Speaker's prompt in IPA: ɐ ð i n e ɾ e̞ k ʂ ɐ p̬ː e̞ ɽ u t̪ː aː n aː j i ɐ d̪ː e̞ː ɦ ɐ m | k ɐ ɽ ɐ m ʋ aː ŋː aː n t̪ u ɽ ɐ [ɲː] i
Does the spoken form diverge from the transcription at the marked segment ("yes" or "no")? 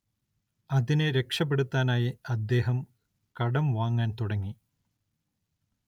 yes